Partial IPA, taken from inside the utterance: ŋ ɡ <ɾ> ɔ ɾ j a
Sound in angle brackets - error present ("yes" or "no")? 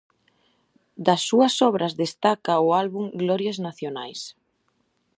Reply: yes